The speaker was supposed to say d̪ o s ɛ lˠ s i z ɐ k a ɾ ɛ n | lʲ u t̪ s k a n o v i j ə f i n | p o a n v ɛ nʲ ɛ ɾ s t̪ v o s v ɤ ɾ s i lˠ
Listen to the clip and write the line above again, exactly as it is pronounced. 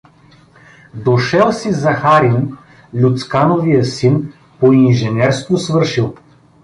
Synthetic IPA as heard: d̪ o ʃ ɛ lˠ s i z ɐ x a ɾ i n | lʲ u t̪ s k a n o v i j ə s i n | p o i n ʒ ɛ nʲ ɛ ɾ s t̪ v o s v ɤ ɾ ʃ i lˠ